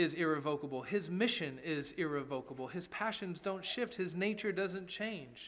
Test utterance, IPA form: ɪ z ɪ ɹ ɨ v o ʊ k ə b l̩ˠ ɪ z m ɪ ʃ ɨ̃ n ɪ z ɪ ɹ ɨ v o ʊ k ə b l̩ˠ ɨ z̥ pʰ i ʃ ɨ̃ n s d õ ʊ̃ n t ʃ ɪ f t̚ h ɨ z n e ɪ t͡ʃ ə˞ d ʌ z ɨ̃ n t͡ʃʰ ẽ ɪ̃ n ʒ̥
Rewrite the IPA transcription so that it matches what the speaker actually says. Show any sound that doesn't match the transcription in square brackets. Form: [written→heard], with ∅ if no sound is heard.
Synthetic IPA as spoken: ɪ z ɪ ɹ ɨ v o ʊ k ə b l̩ˠ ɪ z m ɪ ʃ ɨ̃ n ɪ z ɪ ɹ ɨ v o ʊ k ə b l̩ˠ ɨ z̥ pʰ [i→æ] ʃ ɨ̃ n [s→z] d õ ʊ̃ n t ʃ ɪ f t̚ h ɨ z n e ɪ t͡ʃ ə˞ d ʌ z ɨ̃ n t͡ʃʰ ẽ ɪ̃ n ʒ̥